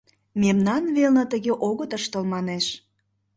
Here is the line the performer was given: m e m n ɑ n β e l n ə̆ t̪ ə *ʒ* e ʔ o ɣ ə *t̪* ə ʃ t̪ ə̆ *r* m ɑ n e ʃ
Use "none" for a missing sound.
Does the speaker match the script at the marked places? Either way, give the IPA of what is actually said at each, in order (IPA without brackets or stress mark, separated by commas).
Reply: ɣ, t̪, l